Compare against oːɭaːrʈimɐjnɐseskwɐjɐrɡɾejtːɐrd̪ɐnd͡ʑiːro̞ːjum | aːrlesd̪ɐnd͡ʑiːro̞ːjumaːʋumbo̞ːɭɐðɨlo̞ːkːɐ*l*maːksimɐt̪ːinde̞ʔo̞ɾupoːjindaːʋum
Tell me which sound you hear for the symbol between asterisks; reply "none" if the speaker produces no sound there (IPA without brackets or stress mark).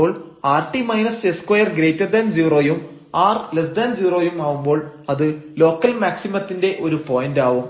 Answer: l